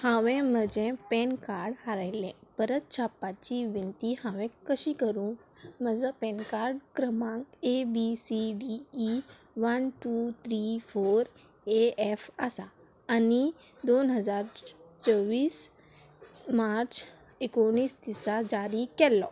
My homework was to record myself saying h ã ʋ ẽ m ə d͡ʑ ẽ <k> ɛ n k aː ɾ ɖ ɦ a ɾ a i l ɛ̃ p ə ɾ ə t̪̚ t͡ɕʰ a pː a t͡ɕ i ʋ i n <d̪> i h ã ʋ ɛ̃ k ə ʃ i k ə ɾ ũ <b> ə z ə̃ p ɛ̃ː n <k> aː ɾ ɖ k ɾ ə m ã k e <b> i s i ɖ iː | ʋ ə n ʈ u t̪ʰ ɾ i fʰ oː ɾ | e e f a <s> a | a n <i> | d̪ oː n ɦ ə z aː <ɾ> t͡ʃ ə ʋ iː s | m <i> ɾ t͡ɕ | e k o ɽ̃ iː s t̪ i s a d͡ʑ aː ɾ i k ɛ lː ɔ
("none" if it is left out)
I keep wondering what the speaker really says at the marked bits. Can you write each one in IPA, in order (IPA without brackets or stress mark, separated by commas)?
p, t̪, m, k, b, s, i, ɾ, a